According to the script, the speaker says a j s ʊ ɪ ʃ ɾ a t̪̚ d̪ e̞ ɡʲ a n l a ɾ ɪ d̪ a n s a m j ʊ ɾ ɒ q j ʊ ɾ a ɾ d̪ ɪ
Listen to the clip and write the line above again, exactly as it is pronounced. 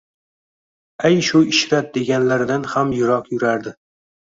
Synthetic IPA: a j ʃ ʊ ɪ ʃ ɾ a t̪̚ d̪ e̞ ɡʲ a n l a ɾ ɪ d̪ a n h a m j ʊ ɾ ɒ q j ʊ ɾ a ɾ d̪ ɪ